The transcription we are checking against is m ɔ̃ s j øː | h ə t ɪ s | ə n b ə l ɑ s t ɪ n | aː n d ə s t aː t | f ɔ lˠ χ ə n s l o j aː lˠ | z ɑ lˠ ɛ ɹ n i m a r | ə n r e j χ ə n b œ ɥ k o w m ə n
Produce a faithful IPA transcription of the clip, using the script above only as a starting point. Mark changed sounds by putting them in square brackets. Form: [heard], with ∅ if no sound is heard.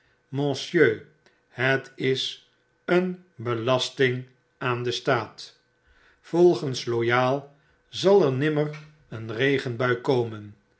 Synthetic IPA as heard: m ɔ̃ s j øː | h ə t ɪ s | ə n b ə l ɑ s t ɪ [ŋ] | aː n d ə s t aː t | f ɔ lˠ χ ə n s l o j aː lˠ | z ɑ lˠ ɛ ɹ n [ɪ] m [ə] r | ə n r e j χ ə n b œ ɥ k o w m ə n